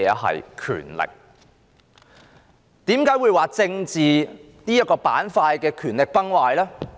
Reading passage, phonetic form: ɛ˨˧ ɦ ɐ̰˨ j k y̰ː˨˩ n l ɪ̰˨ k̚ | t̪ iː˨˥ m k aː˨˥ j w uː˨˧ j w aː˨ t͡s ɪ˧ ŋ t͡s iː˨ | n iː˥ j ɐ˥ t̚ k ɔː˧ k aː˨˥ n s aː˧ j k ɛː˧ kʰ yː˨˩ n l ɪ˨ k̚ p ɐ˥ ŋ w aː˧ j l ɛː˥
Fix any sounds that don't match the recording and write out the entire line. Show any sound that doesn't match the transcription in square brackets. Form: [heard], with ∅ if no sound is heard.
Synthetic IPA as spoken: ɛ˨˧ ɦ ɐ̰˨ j [kʰ] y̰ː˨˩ n l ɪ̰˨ k̚ | t̪ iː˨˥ m k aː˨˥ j w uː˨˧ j w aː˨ t͡s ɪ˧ ŋ t͡s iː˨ | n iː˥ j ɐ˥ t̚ k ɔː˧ [p] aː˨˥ n [f] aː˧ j k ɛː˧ kʰ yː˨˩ n l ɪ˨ k̚ p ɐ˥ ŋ w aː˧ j l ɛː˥